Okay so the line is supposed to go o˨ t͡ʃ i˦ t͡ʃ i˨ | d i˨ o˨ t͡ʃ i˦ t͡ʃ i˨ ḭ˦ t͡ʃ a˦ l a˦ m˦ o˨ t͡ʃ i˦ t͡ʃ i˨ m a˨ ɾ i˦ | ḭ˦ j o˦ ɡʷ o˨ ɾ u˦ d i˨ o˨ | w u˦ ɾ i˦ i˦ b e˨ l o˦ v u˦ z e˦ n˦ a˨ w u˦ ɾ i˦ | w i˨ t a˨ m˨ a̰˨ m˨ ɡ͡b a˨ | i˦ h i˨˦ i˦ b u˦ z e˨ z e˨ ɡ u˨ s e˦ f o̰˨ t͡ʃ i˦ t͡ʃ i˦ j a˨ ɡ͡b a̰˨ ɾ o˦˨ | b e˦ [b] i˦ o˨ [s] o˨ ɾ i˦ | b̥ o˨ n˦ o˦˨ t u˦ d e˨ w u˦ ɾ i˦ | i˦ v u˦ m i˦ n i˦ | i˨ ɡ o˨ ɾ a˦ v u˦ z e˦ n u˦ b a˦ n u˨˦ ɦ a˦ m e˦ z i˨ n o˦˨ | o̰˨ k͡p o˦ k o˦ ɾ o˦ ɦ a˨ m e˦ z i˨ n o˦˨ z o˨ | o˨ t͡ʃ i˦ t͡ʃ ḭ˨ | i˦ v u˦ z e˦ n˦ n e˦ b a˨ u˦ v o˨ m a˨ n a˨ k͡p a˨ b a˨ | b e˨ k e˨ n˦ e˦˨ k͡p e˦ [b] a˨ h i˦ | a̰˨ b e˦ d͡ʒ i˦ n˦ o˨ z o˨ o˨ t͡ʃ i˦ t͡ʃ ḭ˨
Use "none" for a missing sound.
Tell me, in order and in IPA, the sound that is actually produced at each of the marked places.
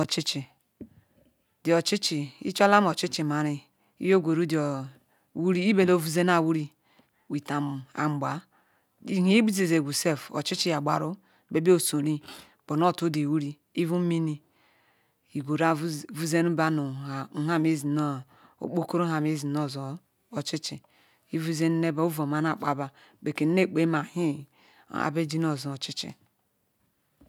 b, s, m

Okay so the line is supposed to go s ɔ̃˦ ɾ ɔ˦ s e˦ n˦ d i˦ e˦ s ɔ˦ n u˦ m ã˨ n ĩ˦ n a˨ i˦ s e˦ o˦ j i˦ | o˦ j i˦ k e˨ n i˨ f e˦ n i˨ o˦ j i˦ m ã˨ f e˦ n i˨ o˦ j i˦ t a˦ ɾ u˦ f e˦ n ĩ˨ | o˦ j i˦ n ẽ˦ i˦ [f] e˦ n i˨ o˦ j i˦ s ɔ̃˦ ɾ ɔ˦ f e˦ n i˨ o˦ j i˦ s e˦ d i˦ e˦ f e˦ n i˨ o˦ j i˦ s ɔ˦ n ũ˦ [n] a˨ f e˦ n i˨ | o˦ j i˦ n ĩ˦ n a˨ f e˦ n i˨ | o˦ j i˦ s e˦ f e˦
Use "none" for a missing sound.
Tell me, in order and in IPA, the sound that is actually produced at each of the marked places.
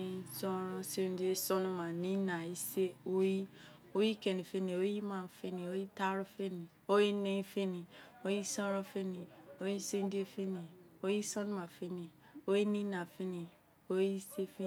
f, m

